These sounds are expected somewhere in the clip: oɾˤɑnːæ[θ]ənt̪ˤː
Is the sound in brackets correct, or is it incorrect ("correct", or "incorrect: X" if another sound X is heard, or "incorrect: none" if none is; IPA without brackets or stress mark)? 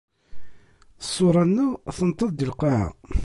correct